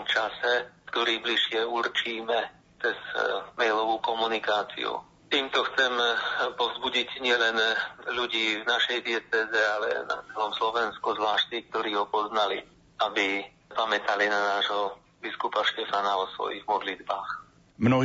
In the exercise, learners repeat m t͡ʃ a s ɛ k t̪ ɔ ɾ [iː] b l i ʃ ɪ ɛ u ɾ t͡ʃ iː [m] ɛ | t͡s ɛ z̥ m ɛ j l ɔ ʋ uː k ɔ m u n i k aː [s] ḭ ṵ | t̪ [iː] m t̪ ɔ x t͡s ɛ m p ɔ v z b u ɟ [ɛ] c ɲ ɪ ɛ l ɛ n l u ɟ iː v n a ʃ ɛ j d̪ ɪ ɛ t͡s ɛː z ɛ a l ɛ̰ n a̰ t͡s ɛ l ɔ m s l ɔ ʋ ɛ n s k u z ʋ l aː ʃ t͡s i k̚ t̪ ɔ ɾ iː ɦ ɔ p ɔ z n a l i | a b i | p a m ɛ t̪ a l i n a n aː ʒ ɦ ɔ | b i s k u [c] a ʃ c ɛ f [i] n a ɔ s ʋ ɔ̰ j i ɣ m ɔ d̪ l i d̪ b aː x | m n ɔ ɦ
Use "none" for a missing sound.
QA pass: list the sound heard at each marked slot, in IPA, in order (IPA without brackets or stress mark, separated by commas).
iː, m, t͡s, iː, i, p, a